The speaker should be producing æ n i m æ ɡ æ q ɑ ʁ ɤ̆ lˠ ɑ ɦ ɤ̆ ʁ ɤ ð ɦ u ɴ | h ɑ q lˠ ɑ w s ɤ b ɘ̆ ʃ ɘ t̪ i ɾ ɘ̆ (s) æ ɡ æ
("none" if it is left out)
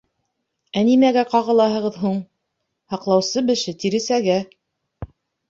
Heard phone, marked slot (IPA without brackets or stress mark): s